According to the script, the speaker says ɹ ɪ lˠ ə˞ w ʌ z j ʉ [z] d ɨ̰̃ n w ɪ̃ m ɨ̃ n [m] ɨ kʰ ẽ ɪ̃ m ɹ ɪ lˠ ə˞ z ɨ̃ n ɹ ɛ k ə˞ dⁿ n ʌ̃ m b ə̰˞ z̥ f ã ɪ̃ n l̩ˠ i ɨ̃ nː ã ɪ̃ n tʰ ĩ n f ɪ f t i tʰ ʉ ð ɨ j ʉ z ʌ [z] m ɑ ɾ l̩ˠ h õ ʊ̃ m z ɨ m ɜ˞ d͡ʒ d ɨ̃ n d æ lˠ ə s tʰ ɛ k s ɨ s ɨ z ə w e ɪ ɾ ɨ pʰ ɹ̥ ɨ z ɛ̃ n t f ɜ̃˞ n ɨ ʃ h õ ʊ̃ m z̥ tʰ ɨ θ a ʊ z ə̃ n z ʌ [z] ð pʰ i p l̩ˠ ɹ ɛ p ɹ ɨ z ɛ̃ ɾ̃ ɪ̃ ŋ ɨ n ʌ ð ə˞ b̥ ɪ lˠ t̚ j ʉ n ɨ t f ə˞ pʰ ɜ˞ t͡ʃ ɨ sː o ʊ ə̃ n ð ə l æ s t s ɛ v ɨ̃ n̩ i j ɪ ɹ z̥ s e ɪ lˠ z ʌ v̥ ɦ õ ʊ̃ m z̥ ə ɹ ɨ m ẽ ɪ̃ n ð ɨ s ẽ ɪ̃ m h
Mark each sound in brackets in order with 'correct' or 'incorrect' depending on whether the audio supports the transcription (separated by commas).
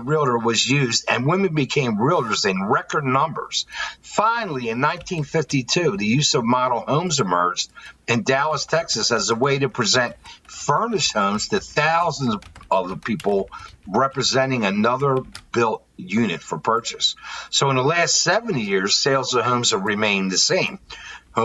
correct, incorrect, incorrect, incorrect